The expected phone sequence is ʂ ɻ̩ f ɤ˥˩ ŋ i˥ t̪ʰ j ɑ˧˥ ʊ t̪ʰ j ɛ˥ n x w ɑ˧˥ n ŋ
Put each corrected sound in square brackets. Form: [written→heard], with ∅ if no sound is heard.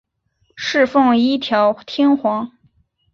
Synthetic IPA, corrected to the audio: ʂ ɻ̩ f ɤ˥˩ ŋ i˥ t̪ʰ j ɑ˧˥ ʊ t̪ʰ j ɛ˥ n x w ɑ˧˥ [n→∅] ŋ